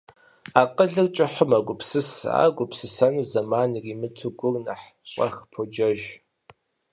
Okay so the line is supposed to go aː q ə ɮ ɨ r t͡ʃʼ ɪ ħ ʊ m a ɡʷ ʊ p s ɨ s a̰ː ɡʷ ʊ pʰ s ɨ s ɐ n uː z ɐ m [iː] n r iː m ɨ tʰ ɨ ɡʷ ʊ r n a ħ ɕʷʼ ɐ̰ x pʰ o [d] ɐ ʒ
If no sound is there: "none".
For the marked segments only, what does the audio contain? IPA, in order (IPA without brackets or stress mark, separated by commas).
aː, d͡ʒ